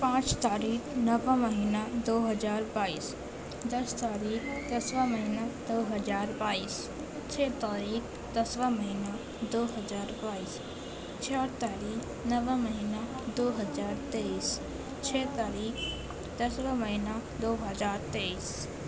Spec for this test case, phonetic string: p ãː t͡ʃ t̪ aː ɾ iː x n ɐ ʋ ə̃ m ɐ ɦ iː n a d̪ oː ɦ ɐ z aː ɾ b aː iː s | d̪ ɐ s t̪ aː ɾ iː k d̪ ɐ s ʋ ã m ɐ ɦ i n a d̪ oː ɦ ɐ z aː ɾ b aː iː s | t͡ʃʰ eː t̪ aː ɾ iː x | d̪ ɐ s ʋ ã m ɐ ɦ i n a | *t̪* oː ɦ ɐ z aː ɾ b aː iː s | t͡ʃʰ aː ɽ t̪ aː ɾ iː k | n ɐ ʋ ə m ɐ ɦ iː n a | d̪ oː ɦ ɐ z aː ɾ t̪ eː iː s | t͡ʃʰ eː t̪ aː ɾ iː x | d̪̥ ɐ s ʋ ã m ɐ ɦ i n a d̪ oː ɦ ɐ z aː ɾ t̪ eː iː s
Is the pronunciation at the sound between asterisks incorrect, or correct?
incorrect